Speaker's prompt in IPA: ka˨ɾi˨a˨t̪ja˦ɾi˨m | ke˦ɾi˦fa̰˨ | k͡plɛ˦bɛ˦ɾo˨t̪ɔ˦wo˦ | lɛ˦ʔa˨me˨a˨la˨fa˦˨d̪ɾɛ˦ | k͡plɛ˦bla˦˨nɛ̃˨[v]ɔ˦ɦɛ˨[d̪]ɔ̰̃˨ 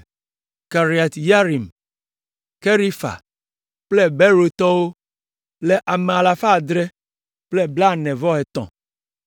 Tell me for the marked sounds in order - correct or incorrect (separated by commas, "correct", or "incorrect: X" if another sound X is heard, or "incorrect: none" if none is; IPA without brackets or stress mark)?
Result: correct, incorrect: t̪